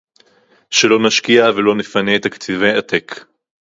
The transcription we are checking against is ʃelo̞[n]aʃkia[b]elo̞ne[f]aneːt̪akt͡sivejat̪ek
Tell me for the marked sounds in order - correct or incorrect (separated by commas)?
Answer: correct, incorrect, correct